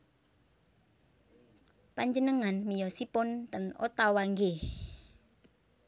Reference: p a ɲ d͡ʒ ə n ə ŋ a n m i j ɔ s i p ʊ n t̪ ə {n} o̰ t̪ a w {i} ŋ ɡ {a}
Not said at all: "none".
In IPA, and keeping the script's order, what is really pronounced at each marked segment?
n, a, e

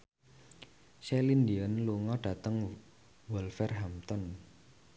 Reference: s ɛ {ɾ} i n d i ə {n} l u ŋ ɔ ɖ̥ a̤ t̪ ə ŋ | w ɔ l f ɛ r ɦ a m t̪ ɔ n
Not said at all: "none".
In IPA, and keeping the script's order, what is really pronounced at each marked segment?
l, n

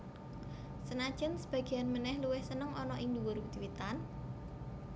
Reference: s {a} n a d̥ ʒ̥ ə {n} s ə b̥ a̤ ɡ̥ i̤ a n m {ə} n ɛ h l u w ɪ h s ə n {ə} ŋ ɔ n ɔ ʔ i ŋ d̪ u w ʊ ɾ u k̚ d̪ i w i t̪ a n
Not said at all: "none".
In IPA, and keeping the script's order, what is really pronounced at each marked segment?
ə, n, ə, ə

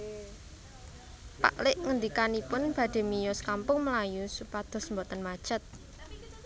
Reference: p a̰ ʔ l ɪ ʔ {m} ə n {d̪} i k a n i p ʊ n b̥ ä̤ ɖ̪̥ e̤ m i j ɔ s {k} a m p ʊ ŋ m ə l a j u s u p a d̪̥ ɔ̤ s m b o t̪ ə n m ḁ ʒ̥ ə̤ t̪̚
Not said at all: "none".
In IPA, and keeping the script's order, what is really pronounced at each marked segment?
ŋ, d̪, k

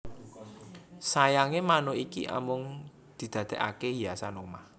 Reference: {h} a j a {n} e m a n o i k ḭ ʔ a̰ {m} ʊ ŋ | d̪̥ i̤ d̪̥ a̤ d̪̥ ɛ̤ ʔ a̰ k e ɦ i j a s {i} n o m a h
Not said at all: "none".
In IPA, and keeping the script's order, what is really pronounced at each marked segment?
s, ŋ, m, a

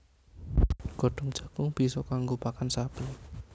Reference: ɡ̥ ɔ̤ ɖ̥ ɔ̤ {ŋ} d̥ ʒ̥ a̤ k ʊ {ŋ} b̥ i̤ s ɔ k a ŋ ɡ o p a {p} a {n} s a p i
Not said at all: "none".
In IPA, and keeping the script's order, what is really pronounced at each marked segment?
ŋ, ŋ, k, n

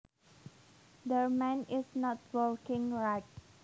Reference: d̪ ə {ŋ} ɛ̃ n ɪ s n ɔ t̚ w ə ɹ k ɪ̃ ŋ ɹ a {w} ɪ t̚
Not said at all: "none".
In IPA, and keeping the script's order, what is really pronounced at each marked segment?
m, none

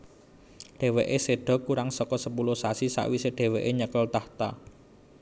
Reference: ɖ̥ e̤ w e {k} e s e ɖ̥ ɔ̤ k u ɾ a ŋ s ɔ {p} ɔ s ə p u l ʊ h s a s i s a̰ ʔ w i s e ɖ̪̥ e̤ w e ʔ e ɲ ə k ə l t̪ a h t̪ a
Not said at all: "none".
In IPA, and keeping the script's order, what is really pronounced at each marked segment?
ʔ, k

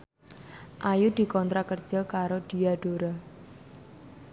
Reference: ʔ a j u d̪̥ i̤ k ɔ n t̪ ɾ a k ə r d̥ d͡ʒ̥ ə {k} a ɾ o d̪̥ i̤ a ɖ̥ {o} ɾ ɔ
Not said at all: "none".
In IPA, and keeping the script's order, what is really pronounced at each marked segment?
k, o

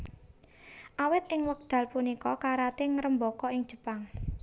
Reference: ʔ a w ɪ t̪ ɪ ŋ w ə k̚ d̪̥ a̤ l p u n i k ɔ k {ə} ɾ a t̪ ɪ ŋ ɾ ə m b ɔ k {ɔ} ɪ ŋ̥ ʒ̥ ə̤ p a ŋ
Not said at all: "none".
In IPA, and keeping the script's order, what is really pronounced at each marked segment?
a, ɔ

